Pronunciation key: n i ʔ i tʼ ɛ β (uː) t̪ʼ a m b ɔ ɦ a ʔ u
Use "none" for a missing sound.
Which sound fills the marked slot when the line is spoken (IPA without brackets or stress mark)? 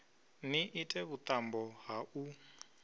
u